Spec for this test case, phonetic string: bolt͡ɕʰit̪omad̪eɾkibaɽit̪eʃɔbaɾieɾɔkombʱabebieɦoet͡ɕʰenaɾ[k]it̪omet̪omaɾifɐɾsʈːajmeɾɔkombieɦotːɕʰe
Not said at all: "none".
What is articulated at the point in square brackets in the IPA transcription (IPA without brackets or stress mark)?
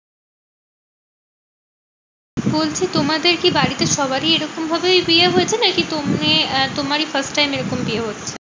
k